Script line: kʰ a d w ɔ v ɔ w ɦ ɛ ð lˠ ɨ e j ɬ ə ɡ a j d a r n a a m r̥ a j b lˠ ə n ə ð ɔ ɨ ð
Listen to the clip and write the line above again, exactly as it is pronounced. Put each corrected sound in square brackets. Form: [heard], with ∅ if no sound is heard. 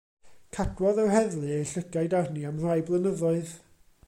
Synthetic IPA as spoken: kʰ a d w ɔ [ð] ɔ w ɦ ɛ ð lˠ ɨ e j ɬ ə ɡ a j d a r n [i] a m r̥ a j b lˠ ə n ə ð ɔ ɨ ð